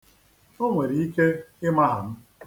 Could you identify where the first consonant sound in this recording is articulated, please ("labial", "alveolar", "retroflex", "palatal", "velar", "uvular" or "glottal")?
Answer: velar